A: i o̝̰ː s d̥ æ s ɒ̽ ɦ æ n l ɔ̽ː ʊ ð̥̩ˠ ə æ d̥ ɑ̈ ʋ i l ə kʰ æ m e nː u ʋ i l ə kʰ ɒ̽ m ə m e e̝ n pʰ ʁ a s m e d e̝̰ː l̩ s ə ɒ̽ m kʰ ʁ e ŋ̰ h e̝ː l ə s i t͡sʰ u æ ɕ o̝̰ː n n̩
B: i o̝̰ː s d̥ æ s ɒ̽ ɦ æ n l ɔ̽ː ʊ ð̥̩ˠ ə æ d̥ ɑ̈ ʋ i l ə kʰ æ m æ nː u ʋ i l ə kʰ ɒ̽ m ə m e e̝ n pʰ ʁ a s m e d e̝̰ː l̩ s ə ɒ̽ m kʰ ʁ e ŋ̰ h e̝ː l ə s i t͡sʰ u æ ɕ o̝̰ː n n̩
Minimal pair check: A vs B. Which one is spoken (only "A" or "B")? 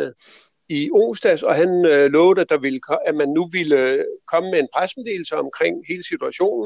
B